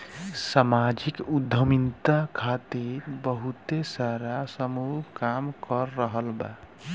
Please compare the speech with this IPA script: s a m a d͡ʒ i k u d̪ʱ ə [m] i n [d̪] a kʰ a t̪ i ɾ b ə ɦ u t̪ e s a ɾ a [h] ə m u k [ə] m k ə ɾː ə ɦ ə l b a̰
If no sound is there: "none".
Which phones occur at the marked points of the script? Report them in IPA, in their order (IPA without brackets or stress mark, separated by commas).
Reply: m, t̪, s, a